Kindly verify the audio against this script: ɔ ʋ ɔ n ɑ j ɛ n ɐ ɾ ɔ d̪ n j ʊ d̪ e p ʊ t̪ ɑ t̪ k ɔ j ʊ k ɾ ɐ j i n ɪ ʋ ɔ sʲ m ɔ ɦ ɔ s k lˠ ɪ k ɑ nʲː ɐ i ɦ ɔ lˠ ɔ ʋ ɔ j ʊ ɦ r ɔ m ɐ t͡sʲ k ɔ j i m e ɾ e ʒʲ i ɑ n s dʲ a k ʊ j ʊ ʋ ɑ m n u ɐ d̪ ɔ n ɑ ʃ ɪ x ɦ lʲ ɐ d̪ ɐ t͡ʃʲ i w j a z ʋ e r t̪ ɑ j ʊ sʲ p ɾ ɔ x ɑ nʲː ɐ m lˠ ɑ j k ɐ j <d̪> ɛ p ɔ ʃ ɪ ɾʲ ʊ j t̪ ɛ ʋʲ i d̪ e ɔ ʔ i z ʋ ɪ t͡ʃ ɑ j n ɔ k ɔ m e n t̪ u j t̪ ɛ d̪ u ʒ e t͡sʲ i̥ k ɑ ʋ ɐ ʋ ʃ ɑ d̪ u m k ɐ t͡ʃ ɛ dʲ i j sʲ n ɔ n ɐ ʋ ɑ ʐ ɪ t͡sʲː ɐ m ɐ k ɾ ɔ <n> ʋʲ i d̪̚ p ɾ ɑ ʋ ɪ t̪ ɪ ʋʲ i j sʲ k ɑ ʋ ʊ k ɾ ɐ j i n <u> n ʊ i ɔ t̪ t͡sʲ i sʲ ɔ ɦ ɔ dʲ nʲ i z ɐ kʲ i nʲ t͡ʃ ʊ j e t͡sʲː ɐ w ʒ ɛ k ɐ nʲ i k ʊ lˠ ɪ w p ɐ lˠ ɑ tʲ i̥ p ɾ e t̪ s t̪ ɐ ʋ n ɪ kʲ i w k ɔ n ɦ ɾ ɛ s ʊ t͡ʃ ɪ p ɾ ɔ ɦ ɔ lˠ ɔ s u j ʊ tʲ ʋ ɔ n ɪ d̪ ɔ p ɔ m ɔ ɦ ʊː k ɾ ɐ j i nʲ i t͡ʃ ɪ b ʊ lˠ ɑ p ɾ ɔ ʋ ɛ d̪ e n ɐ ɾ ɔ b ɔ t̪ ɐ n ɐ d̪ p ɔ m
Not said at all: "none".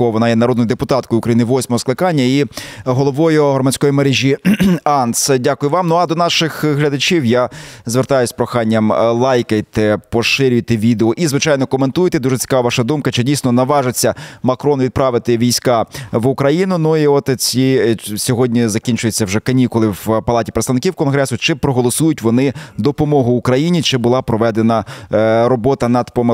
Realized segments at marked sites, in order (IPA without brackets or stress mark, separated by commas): t̪, n, ʊ